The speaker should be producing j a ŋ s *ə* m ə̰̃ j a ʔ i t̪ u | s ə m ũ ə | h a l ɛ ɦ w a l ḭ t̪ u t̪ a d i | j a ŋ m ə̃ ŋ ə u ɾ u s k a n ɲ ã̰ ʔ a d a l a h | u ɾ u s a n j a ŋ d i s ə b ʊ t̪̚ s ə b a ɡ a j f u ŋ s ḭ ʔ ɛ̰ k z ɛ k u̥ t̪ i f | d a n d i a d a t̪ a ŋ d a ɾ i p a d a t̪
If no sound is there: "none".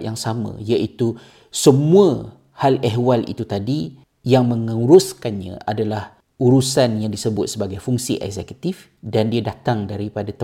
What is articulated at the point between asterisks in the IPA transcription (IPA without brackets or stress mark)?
a